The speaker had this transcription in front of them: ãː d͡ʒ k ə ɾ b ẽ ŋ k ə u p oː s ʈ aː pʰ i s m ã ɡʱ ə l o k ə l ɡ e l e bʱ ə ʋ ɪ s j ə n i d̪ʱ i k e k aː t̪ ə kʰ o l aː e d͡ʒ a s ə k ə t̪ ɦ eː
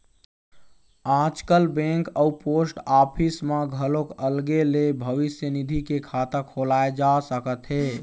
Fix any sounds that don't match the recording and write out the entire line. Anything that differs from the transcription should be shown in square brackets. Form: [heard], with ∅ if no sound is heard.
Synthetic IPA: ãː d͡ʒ k ə [l] b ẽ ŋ k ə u p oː s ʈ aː pʰ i s m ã ɡʱ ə l o k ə l ɡ e l e bʱ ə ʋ ɪ s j ə n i d̪ʱ i k e [kʰ] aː t̪ ə kʰ o l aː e d͡ʒ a s ə k ə t̪ ɦ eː